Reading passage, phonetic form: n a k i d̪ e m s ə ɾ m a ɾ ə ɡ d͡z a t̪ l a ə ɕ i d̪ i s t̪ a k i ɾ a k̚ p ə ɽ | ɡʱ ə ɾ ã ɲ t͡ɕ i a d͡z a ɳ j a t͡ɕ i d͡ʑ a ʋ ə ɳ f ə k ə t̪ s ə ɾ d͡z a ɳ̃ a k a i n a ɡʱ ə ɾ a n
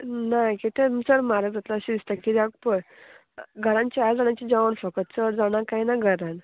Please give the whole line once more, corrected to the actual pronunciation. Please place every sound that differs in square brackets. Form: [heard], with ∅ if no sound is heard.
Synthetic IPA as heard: n a k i [t̪] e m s ə ɾ m a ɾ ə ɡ d͡z a t̪ l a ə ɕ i d̪ i s t̪ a k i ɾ a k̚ p ə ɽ | ɡʱ ə ɾ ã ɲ t͡ɕ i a d͡z a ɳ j a t͡ɕ i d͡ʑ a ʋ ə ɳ f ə k ə t̪ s ə ɾ d͡z a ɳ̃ a k a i n a ɡʱ ə ɾ a n